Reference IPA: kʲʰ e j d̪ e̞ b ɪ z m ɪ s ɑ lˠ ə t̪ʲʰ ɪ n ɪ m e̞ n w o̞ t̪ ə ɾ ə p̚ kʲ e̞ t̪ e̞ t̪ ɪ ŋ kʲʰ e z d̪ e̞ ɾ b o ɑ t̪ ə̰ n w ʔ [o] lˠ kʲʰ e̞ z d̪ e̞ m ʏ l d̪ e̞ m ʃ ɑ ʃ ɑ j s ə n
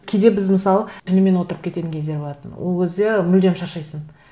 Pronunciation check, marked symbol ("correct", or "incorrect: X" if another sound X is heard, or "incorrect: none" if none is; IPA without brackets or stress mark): correct